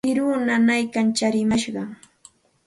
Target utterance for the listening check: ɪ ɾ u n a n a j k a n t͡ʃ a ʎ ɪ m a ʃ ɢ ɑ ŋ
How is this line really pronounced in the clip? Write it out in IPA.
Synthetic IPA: ɪ ɾ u n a n a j k a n t͡ʃ a ɾ ɪ m a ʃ ɢ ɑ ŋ

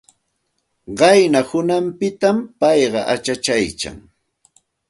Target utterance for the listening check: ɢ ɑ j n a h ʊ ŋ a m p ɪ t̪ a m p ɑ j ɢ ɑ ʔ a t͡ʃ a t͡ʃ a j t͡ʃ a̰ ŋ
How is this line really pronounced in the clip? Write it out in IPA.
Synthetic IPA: ɢ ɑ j n a h ʊ n a m p ɪ t̪ a m p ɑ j ɢ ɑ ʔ a t͡ʃ a t͡ʃ a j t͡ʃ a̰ ŋ

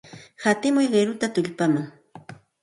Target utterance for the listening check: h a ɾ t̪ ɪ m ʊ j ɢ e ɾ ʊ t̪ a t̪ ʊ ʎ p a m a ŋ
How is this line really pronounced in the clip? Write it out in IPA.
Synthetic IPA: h a t̪ ɪ m ʊ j ɢ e ɾ ʊ t̪ a t̪ ʊ ʎ p a m a ŋ

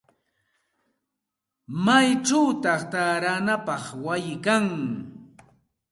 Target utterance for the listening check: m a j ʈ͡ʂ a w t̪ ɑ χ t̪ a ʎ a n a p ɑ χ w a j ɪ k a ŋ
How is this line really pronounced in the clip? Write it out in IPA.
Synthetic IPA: m a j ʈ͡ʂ a w t̪ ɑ χ t̪ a ɾ a n a p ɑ χ w a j ɪ k a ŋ

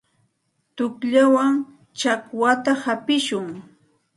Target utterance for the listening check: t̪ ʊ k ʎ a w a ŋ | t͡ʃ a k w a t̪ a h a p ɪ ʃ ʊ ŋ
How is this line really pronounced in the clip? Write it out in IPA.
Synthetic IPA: t̪ ʊ k ʎ a w a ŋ | t͡ʃ a k w a t̪ a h a p ɪ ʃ ʊ ŋ

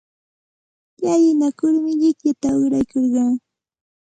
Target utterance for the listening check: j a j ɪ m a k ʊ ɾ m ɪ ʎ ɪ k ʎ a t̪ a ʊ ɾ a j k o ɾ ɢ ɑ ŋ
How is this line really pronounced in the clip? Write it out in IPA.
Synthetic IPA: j a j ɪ n a k ʊ ɾ m ɪ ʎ ɪ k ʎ a t̪ a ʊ ɾ a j k o ɾ ɢ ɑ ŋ

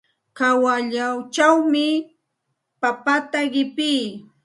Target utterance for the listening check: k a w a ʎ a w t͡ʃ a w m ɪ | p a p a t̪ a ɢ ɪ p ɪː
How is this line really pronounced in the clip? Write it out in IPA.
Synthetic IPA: k a w a ʎ a w t͡ʃ a w m ɪ | p a p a t̪ a ɢ ɪ p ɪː

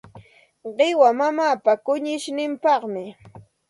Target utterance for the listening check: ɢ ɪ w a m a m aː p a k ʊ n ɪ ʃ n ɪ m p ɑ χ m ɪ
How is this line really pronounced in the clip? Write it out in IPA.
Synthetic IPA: ɢ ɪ w a m a m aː p a k ʊ ɲ ɪ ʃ n ɪ m p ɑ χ m ɪ

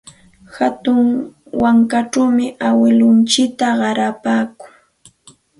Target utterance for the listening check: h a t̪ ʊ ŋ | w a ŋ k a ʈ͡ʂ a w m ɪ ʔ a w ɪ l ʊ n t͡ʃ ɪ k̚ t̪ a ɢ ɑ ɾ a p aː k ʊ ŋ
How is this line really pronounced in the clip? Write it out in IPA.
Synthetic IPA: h a t̪ ʊ ŋ | w a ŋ k a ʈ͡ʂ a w m ɪ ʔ a w ɪ l ʊ n t͡ʃ ɪ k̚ t̪ a ɢ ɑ ɾ a p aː k ʊ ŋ

